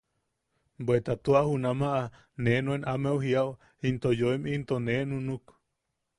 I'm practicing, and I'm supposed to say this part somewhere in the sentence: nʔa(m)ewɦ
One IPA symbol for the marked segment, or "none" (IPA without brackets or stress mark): m